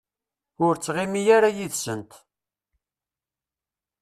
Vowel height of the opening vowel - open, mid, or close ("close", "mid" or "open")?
close